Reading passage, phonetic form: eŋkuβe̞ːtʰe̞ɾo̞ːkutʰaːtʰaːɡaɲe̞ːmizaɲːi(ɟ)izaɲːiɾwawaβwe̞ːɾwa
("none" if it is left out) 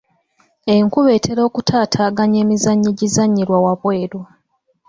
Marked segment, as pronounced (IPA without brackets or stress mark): ɟ